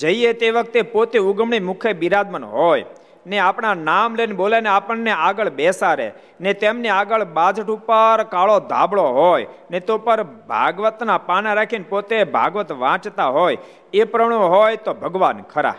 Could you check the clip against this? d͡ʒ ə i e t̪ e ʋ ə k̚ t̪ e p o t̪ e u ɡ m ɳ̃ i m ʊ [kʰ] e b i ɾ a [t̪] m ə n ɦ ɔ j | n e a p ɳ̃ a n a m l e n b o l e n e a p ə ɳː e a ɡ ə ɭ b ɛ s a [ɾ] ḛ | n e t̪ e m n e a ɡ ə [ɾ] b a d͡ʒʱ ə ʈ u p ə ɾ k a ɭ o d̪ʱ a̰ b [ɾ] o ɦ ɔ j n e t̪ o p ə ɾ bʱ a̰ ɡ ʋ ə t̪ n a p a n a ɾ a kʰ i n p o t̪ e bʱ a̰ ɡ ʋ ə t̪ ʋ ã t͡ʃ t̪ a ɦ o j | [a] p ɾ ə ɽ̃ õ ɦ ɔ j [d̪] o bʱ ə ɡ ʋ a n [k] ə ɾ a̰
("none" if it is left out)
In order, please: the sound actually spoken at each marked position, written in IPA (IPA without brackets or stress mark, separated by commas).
kʰ, d̪, ɾ, ɭ, ɭ, e, t̪, kʰ